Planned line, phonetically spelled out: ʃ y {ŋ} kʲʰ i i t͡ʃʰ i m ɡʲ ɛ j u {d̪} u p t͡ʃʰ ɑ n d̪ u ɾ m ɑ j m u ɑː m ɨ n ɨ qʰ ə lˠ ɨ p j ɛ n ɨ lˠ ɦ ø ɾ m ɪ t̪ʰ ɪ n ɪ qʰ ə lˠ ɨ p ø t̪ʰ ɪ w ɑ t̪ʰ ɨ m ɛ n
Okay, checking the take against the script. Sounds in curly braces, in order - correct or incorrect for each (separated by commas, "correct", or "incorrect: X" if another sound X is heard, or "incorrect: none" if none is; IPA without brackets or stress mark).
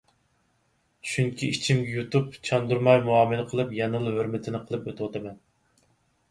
correct, incorrect: t̪